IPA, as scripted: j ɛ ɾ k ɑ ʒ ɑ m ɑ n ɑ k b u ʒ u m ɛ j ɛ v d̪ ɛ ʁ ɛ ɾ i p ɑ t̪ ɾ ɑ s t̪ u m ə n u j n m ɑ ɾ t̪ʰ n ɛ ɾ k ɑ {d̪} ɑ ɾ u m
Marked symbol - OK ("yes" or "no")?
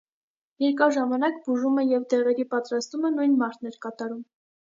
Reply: no